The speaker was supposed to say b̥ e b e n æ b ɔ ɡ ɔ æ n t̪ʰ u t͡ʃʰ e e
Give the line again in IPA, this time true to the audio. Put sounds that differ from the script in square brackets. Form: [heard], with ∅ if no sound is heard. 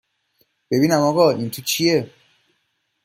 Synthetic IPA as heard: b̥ e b [i] n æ [m] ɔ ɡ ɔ [i] n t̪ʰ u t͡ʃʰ [i] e